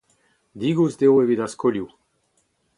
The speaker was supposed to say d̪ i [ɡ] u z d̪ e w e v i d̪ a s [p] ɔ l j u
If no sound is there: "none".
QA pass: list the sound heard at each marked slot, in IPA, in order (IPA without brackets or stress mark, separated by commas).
ɡ, k